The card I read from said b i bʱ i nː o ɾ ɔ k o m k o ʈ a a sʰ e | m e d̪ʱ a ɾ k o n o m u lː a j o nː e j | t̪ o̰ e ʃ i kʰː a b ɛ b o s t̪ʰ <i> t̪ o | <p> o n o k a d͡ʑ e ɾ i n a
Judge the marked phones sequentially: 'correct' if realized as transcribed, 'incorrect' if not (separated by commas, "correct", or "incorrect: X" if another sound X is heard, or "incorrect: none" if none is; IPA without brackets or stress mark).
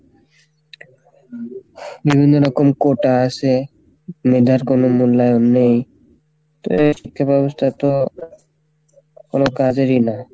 incorrect: a, incorrect: k